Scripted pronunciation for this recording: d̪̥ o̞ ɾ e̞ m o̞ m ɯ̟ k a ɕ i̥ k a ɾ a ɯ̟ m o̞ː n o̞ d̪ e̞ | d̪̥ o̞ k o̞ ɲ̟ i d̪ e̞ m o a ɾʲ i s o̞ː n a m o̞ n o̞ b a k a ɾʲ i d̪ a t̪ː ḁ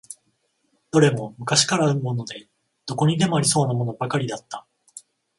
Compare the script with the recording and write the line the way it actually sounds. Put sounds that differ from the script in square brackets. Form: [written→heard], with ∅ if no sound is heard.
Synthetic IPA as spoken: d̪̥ o̞ ɾ e̞ m o̞ m ɯ̟ k a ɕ i̥ k a ɾ a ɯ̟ m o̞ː n o̞ d̪ e̞ | d̪̥ o̞ k o̞ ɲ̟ i d̪ e̞ m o a ɾʲ i s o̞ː n a m o̞ n o̞ b a k a ɾʲ i d̪ a t̪ː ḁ